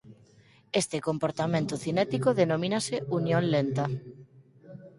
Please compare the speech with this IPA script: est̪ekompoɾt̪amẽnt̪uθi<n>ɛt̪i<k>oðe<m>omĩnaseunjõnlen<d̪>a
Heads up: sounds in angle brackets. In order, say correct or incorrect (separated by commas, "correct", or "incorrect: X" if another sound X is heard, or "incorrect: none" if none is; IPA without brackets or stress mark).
correct, correct, incorrect: n, incorrect: t̪